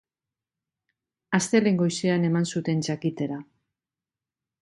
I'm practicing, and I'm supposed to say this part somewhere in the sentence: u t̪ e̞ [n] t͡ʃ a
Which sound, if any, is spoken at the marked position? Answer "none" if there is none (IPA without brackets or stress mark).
n